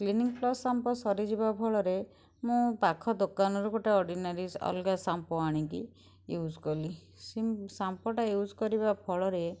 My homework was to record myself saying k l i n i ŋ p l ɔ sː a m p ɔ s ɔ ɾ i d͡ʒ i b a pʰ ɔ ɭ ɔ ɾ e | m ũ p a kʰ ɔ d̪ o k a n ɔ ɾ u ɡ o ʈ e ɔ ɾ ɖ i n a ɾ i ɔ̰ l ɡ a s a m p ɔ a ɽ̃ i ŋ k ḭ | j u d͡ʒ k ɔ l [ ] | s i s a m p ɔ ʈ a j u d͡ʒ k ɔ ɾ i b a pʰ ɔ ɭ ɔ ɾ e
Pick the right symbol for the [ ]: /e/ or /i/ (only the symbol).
i